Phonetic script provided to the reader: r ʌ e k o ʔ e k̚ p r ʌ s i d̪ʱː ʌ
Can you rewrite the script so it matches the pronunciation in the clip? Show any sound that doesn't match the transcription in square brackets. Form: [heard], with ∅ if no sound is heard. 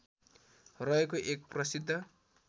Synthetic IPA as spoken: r ʌ e k o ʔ e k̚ p r ʌ s i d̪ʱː ʌ